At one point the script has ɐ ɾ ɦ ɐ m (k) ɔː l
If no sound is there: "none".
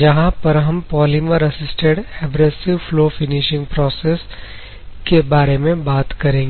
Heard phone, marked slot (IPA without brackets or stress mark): p